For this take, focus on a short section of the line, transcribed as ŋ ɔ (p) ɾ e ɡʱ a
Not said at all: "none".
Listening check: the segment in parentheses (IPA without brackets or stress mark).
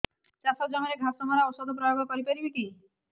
none